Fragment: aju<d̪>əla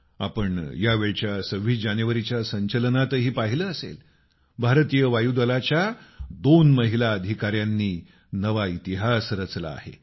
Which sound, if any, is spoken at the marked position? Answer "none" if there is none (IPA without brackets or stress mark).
d̪